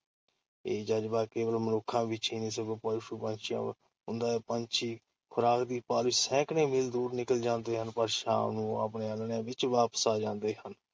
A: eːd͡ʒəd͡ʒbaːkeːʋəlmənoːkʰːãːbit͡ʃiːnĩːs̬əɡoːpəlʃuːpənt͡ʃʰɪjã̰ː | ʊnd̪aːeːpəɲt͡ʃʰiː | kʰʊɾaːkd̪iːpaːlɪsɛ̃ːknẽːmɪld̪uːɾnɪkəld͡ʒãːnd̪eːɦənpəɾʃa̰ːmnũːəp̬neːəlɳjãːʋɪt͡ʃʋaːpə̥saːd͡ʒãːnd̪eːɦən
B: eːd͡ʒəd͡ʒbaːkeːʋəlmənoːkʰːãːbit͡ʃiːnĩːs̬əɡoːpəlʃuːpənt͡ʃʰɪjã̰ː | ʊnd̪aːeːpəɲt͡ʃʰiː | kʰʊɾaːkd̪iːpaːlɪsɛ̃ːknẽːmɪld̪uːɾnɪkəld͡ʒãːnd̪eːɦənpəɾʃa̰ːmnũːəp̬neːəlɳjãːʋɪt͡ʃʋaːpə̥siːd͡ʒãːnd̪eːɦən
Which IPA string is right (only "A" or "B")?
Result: A